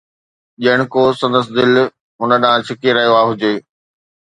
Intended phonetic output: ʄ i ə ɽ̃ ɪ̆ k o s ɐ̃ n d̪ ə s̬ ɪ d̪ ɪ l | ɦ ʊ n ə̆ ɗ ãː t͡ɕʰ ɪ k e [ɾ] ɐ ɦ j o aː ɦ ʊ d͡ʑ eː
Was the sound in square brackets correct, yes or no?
yes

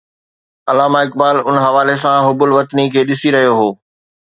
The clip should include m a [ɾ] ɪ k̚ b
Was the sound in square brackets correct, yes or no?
no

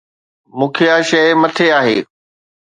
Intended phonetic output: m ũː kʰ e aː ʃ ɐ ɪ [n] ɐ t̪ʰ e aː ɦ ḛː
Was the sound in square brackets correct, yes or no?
no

